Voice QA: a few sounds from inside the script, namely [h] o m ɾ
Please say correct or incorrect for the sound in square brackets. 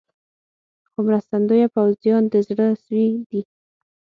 incorrect